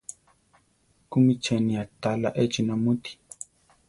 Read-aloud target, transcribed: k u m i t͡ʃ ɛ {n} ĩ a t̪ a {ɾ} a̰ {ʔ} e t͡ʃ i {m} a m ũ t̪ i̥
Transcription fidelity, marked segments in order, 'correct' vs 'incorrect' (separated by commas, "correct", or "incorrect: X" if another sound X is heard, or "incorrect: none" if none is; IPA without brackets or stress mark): correct, incorrect: l, correct, incorrect: n